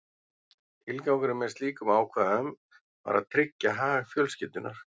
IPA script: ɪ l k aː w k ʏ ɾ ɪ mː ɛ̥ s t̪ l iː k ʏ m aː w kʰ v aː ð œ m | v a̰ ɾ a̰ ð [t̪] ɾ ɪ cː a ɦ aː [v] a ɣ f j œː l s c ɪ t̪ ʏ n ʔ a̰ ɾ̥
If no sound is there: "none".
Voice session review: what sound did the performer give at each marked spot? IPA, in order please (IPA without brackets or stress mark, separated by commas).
t̪ʰ, ɣ